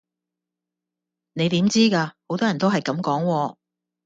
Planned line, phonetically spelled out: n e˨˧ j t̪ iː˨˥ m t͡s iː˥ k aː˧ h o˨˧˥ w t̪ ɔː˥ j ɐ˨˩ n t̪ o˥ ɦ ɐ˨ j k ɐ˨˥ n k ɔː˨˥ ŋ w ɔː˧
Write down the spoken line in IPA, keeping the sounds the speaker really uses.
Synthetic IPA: n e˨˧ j t̪ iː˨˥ m t͡s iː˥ k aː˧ h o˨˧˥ w t̪ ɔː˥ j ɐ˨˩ n t̪ o˥ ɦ ɐ˨ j k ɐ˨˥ m k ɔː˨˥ ŋ w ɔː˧